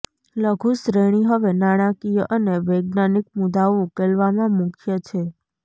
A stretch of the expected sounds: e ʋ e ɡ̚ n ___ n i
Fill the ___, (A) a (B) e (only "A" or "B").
A